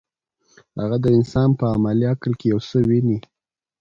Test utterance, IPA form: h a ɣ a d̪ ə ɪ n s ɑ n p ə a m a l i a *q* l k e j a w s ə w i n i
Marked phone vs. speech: incorrect: k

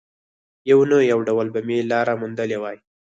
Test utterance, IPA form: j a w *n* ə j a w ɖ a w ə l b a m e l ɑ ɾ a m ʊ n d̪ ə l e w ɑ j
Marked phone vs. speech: correct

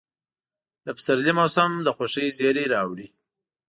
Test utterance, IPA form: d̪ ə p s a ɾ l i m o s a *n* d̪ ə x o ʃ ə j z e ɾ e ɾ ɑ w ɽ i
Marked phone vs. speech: incorrect: m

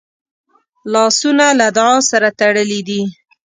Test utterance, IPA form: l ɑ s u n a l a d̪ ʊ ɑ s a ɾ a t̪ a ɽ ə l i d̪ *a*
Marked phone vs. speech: incorrect: i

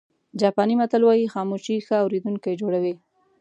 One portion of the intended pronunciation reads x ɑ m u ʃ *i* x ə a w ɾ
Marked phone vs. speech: correct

